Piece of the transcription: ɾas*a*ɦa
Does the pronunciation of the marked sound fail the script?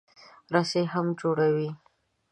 yes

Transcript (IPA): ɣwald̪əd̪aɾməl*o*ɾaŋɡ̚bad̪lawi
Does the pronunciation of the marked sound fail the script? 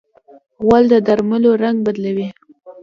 no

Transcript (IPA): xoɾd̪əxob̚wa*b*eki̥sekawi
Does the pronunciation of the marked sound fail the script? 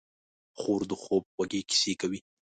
yes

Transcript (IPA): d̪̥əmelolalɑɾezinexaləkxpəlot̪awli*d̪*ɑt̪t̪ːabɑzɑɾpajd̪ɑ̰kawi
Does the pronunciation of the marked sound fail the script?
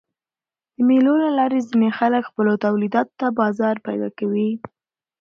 no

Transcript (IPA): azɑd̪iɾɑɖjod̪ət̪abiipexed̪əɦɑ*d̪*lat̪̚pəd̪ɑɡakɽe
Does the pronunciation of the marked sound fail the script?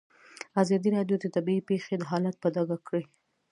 yes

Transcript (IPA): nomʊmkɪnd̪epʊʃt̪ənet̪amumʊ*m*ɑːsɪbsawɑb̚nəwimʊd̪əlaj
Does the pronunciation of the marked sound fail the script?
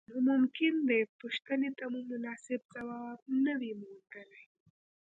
yes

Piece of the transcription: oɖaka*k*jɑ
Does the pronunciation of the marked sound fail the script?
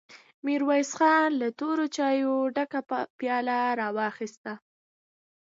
yes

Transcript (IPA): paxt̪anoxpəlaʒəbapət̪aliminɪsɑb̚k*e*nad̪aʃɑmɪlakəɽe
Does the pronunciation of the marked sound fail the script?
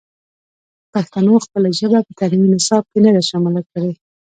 no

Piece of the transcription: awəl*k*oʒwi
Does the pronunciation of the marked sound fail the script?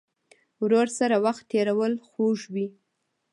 yes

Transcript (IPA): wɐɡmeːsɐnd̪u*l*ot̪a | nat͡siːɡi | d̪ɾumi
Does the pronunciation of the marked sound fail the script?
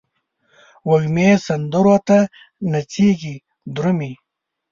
yes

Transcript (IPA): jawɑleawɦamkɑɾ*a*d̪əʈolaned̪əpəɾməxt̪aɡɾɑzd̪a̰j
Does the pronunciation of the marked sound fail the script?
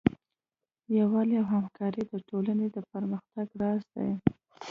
yes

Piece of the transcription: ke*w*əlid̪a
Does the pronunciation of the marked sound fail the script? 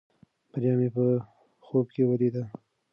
no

